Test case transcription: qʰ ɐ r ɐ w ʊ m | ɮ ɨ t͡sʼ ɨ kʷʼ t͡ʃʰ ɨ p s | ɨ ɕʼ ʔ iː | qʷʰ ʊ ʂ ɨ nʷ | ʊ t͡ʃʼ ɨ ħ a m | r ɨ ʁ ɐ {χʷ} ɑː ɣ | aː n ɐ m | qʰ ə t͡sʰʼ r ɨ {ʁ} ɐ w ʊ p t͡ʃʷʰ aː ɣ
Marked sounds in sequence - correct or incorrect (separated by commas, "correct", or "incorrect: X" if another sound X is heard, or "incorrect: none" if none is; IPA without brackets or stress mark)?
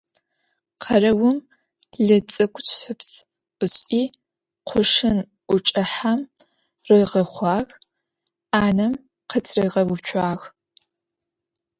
correct, correct